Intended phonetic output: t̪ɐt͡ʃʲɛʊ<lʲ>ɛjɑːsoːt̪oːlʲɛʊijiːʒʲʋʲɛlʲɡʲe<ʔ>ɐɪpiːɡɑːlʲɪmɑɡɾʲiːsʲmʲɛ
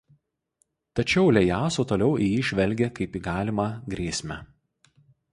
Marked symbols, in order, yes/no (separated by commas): yes, no